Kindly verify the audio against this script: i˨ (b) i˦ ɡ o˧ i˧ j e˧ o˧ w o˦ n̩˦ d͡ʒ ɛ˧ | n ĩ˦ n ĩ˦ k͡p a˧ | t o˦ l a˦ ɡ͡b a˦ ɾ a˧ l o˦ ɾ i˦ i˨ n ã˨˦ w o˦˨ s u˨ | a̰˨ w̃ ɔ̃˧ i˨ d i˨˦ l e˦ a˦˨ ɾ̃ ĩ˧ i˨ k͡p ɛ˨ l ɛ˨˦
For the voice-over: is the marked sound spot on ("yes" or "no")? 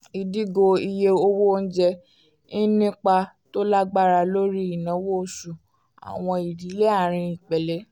no